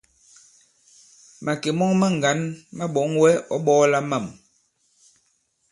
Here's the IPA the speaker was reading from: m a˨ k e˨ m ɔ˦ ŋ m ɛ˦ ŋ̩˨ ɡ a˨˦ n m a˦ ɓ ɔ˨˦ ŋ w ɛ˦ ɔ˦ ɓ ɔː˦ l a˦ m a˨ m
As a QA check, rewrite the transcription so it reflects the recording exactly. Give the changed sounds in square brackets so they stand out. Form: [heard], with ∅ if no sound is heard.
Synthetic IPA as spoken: m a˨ k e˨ m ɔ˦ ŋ m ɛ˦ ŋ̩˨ ɡ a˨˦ n m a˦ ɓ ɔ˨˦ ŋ w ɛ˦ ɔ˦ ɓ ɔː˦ l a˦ m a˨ m